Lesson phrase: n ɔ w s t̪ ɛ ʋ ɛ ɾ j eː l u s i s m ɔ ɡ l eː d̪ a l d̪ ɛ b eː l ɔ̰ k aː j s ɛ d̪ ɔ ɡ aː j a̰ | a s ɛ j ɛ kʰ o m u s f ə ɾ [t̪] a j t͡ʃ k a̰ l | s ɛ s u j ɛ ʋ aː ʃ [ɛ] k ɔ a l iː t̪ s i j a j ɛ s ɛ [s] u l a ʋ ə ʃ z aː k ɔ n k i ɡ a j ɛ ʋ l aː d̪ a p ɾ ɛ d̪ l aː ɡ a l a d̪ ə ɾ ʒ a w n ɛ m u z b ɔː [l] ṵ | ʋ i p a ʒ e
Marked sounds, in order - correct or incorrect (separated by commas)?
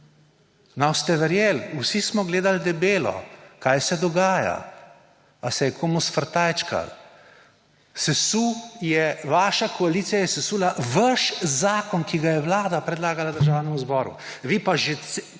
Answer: correct, incorrect, correct, incorrect